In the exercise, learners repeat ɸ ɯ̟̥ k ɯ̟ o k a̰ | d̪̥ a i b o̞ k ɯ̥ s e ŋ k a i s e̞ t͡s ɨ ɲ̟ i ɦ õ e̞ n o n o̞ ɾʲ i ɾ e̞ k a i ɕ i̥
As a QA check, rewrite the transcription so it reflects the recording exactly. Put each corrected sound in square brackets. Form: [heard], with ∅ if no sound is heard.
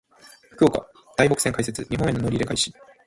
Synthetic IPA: ɸ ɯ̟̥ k ɯ̟ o k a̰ | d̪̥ a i b o̞ k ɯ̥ s e ŋ k a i s e̞ t͡s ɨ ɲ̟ i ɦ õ e̞ n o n o̞ ɾʲ i ɾ e̞ k a i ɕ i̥